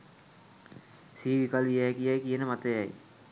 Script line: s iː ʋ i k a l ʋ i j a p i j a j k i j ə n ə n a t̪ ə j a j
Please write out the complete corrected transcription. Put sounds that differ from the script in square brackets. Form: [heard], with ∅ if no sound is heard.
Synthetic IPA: s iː ʋ i k a l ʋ i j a [k] i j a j k i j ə n ə [m] a t̪ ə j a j